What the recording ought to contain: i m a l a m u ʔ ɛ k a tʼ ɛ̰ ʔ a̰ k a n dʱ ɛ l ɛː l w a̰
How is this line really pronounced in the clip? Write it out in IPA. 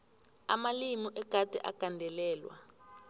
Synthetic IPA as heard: a m a l i m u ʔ ɛ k a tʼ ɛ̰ ʔ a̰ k a n dʱ ɛ l ɛː l w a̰